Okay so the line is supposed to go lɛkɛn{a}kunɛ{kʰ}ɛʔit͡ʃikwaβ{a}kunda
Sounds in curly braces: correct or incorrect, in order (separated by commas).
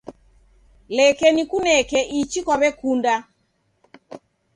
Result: incorrect, incorrect, incorrect